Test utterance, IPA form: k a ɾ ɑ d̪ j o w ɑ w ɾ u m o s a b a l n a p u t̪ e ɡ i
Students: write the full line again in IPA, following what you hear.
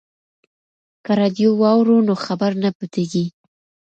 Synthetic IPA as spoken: k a ɾ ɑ d̪ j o w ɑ w ɾ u n o x a b a ɾ n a p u t̪ e ɡ i